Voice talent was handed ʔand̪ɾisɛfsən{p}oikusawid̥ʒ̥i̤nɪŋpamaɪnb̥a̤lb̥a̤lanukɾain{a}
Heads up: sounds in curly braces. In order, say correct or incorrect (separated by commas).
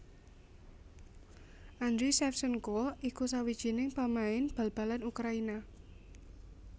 incorrect, correct